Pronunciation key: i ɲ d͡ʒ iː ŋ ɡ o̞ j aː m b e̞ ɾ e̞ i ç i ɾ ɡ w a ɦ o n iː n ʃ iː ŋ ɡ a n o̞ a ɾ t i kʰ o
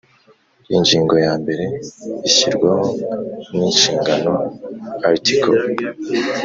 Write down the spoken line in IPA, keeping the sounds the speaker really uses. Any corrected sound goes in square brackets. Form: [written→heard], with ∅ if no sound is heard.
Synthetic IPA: i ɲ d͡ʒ iː ŋ ɡ o̞ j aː m b e̞ ɾ e̞ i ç i ɾ ɡ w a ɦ o n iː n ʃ iː ŋ ɡ a n o̞ a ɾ t i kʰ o